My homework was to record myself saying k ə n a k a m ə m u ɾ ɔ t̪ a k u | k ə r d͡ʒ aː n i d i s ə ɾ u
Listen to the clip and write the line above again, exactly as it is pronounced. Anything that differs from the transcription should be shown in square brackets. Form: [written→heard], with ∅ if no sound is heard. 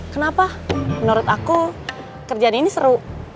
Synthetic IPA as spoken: k ə n a [k→p] a m ə [m→n] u ɾ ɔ t̪ a k u | k ə r d͡ʒ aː n i [d→n] i s ə ɾ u

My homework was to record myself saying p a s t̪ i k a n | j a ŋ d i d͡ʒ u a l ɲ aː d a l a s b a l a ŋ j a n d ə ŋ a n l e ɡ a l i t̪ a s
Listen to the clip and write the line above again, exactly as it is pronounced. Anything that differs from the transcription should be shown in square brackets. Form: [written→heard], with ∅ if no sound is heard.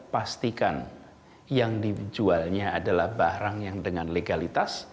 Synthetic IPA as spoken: p a s t̪ i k a n | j a ŋ d i d͡ʒ u a l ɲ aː d a l a [s→h] b a [l→ɾ] a ŋ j a [n→ŋ] d ə ŋ a n l e ɡ a l i t̪ a s

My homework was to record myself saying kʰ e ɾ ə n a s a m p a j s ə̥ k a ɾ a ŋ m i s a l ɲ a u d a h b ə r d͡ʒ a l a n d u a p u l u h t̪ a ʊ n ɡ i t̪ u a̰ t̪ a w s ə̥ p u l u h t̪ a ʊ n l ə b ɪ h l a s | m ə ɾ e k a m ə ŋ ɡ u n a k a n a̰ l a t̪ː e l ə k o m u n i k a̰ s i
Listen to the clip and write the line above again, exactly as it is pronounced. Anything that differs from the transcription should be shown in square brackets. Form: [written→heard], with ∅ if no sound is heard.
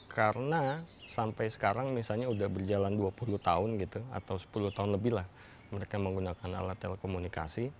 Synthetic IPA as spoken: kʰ [e→a] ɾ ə n a s a m p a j s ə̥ k a ɾ a ŋ m i s a l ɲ a u d a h b ə r d͡ʒ a l a n d u a p u l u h t̪ a ʊ n ɡ i t̪ u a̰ t̪ a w s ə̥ p u l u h t̪ a ʊ n l ə b ɪ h l a [s→h] | m ə ɾ e k a m ə ŋ ɡ u n a k a n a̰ l a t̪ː e l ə k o m u n i k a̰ s i

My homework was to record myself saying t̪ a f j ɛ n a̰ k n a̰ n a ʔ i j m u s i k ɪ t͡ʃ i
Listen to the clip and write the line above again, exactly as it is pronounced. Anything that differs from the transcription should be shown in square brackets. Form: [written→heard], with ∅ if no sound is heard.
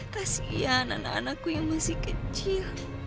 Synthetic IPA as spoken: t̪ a [f→s] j [ɛ→a] n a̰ [k→∅] n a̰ n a [ʔ→k] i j m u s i k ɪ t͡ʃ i

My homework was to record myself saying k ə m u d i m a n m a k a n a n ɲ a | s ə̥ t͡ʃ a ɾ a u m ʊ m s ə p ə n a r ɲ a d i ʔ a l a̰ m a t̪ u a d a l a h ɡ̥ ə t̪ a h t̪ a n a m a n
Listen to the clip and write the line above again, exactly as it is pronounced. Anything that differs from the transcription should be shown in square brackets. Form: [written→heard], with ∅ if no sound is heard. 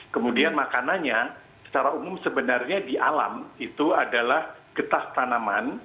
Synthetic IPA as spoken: k ə m u d i [m→∅] a n m a k a n a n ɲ a | s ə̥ t͡ʃ a ɾ a u m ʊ m s ə [p→b] ə n a r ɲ a d i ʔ a l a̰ m [a→i] t̪ u a d a l a h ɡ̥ ə t̪ a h t̪ a n a m a n

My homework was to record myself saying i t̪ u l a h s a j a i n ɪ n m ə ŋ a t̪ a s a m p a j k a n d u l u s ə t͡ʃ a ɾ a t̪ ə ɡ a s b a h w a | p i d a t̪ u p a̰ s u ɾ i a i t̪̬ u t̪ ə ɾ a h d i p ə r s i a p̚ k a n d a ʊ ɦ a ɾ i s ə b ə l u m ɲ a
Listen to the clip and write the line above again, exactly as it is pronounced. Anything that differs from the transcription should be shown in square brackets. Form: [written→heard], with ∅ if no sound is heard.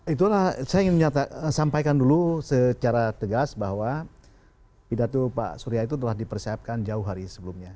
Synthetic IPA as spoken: i t̪ u l a h s a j a i [n→ŋ] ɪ n m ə [ŋ→ɲ] a t̪ a s a m p a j k a n d u l u s ə t͡ʃ a ɾ a t̪ ə ɡ a s b a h w a | p i d a t̪ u p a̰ s u ɾ i a i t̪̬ u t̪ ə [ɾ→l] a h d i p ə r s i a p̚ k a n [d→d͡ʒ] a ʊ ɦ a ɾ i s ə b ə l u m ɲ a

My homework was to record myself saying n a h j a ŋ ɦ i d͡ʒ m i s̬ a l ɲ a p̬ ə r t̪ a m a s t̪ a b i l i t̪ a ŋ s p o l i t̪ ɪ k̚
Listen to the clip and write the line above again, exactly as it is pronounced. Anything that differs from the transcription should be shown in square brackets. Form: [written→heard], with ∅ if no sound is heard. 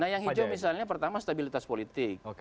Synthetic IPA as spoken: n a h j a ŋ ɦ i d͡ʒ m i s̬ a l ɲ a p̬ ə r t̪ a m a s t̪ a b i l i t̪ a [ŋ→∅] s p o l i t̪ ɪ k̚

